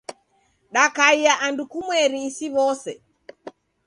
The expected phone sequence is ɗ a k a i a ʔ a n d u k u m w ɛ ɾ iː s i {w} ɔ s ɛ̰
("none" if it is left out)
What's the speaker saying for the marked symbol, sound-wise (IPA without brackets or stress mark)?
β